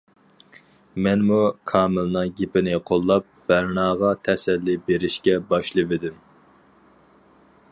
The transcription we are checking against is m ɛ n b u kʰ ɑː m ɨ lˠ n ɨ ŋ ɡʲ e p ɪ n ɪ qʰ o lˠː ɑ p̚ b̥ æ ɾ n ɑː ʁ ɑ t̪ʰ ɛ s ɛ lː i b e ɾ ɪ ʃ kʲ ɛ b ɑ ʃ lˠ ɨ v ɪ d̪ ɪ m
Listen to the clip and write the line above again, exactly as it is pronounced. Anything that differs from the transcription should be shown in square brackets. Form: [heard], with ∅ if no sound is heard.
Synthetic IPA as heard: m ɛ n [m] u kʰ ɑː m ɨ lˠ n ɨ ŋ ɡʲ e p ɪ n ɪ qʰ o lˠː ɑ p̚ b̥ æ ɾ n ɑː ʁ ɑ t̪ʰ ɛ s ɛ lː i b e ɾ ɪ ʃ kʲ ɛ b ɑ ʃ lˠ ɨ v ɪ d̪ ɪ m